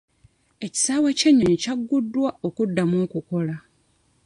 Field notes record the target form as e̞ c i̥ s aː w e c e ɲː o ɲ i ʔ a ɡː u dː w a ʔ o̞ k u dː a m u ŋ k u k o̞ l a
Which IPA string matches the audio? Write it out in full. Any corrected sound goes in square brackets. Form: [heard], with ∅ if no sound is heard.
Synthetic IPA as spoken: e̞ c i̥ s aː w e c e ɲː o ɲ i [c] a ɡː u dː w a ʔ o̞ k u dː a m u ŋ k u k o̞ l a